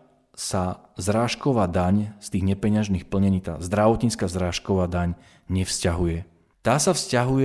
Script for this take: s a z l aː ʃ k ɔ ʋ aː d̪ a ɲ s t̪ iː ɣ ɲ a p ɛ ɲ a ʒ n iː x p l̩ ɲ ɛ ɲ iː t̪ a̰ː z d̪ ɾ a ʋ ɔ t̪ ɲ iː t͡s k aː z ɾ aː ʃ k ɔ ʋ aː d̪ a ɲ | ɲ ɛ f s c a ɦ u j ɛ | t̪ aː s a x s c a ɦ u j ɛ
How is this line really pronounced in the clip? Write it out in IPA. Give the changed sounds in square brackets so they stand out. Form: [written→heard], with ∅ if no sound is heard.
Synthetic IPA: s a z [l→ɾ] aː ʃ k ɔ ʋ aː d̪ a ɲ s t̪ iː ɣ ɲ [a→ɛ] p ɛ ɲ a ʒ n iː x p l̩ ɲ ɛ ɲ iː t̪ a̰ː z d̪ ɾ a ʋ ɔ t̪ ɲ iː t͡s k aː z ɾ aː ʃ k ɔ ʋ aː d̪ a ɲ | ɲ ɛ f s c a ɦ u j ɛ | t̪ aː s a [x→f] s c a ɦ u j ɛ